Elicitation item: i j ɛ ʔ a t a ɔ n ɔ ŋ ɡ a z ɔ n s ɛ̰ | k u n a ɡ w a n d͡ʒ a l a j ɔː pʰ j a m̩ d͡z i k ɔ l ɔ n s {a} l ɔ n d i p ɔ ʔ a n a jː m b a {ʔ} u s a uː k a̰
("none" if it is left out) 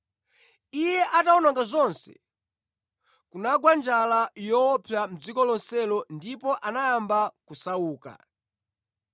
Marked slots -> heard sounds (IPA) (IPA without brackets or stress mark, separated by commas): ɛ, k